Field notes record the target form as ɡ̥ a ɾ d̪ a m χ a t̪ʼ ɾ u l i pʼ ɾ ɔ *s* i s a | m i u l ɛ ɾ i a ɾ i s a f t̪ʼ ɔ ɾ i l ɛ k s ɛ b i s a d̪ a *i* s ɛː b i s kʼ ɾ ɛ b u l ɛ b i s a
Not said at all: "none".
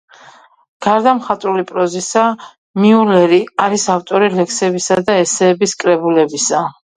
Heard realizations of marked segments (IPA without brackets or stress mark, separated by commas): z, ɛ